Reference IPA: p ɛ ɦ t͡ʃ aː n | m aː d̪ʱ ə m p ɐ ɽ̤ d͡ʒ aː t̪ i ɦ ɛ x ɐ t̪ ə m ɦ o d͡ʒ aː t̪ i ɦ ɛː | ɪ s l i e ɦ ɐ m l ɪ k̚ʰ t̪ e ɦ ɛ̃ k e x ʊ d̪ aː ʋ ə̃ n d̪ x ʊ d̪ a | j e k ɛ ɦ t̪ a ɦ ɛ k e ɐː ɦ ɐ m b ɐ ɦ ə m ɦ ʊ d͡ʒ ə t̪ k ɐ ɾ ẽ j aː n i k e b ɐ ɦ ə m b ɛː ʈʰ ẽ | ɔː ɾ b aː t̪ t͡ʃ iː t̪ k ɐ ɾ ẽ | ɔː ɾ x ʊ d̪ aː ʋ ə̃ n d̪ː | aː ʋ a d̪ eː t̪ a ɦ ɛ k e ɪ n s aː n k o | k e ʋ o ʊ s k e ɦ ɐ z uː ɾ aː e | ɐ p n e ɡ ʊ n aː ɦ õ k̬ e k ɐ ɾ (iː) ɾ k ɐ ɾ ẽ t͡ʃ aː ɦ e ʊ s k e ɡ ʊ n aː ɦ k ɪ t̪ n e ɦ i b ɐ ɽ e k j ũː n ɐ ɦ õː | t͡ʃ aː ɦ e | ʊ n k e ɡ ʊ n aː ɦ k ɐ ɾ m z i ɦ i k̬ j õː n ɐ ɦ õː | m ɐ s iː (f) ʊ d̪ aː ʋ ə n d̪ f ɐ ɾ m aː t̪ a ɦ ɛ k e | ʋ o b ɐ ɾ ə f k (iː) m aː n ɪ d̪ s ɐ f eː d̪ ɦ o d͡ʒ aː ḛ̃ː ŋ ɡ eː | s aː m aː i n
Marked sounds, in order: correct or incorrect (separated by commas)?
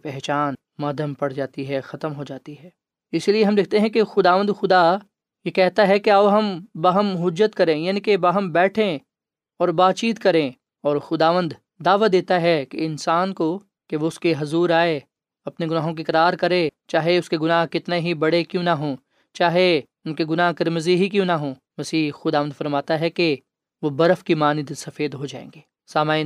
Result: incorrect, incorrect, incorrect